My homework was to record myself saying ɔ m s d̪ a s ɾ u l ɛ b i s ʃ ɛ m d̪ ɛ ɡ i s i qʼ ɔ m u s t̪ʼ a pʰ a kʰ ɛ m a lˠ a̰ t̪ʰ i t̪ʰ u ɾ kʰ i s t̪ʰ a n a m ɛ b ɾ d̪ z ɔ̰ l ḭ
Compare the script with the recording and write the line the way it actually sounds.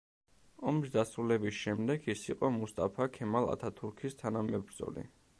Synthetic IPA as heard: ɔ m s d̪ a s ɾ u l ɛ b i s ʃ ɛ m d̪ ɛ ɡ i s i qʼ ɔ m u s t̪ʼ a pʰ a kʰ ɛ m a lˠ a̰ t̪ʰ a t̪ʰ u ɾ kʰ i s t̪ʰ a n a m ɛ b ɾ d̪ z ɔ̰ l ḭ